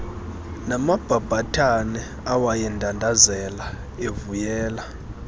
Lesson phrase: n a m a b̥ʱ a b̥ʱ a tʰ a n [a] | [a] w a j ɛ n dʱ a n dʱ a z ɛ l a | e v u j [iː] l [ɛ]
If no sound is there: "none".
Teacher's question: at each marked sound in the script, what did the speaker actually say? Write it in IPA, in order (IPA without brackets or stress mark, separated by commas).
ɛ, a, ɛː, a